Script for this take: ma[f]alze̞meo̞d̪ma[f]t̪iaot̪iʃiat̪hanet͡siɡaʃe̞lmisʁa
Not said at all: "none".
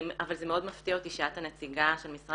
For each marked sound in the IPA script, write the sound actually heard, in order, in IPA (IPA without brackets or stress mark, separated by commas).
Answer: v, f